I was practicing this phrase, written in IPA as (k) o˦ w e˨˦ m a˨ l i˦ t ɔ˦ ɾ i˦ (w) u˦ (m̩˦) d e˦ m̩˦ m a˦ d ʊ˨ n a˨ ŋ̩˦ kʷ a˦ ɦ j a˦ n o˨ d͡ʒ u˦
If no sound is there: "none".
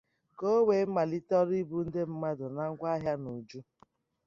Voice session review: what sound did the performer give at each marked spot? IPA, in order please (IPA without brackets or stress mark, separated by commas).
k, b, n̩˦